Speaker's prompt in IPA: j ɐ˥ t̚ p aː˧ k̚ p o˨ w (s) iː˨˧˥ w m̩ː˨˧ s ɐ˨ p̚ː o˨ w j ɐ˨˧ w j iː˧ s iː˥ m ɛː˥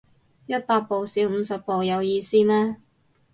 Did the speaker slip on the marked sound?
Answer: no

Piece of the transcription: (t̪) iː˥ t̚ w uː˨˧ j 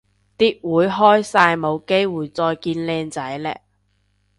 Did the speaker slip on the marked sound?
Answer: no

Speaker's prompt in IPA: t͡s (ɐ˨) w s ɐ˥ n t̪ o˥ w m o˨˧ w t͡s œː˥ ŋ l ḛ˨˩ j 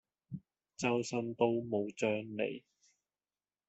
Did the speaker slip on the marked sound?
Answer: yes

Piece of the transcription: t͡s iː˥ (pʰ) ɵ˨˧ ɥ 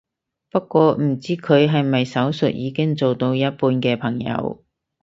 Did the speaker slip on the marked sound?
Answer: yes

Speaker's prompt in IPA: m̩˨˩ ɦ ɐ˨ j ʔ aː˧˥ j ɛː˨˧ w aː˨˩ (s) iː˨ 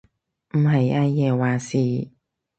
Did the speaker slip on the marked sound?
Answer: no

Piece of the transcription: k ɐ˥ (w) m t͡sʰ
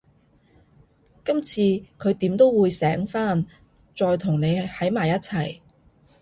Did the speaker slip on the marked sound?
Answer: yes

